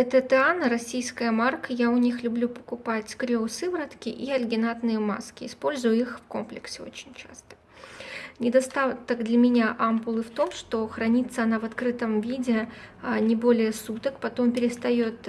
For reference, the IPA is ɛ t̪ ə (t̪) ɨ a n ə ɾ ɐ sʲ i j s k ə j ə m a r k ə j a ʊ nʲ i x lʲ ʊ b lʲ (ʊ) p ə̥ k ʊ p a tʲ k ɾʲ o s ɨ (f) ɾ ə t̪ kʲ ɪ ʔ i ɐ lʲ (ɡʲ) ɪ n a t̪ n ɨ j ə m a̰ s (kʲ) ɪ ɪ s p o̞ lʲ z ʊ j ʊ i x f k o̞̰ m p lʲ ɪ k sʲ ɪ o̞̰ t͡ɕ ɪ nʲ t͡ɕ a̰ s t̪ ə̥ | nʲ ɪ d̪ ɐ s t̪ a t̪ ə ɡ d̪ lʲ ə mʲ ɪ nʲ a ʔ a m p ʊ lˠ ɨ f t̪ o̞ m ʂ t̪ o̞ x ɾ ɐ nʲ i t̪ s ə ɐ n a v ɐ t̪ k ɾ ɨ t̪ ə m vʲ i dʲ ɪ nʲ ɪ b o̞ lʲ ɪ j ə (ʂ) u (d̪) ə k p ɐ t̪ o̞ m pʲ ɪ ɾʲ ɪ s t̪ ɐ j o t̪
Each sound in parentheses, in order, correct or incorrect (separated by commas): correct, incorrect, incorrect, correct, correct, incorrect, incorrect